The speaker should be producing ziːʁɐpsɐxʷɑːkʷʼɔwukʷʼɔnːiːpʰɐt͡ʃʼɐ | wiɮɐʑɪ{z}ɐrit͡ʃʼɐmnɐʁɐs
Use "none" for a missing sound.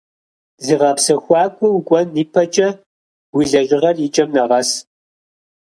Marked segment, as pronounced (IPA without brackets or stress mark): ʁ